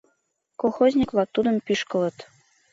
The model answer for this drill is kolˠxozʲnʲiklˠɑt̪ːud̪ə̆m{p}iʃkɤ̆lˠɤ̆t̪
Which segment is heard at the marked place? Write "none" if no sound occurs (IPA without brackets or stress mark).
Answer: p